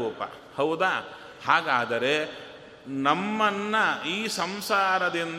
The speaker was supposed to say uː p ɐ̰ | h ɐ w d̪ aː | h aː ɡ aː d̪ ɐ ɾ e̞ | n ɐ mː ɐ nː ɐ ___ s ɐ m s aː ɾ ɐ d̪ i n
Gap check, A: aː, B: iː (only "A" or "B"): B